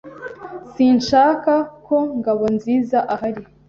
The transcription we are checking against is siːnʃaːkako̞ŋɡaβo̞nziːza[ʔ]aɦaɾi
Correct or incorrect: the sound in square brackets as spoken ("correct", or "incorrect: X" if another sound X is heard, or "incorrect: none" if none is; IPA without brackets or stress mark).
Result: correct